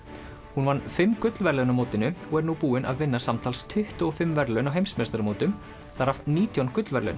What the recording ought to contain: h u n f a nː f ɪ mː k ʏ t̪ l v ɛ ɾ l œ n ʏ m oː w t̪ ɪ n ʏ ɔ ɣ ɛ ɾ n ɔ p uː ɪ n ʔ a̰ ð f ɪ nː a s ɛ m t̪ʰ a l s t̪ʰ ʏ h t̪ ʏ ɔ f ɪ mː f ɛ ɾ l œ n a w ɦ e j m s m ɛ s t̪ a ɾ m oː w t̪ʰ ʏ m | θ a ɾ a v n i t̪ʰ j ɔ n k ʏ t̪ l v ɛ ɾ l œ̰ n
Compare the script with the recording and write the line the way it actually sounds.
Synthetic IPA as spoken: h u n v a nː f ɪ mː k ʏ t̪ l v ɛ ɾ l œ n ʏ m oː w t̪ ɪ n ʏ ɔ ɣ ɛ ɾ n u p uː ɪ n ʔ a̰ ð v ɪ nː a s a m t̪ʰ a l s t̪ʰ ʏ h t̪ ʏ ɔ f ɪ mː v ɛ ɾ l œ n a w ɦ e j m s m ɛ s t̪ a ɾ m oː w t̪ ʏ m | θ a ɾ a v n iː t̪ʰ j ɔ n k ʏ t̪ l v ɛ ɾ l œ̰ n